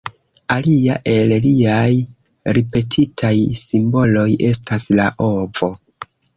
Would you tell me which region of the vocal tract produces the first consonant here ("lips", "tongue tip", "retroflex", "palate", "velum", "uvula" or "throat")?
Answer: tongue tip